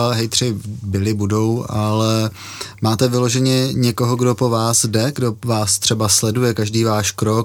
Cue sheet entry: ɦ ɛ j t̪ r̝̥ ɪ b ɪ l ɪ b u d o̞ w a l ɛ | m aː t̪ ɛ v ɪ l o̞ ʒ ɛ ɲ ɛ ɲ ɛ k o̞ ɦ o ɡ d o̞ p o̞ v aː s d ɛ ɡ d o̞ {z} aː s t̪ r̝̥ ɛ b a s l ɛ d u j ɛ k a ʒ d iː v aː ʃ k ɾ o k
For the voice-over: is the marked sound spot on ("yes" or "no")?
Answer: no